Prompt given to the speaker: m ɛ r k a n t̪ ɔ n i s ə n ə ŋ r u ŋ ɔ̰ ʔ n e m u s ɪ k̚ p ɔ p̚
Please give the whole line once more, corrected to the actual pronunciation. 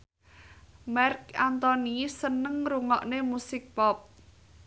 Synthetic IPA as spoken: m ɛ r k a n t̪ ɔ n i s ə n ə ŋ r u ŋ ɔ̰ ʔ n e m u s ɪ k̚ p ɔ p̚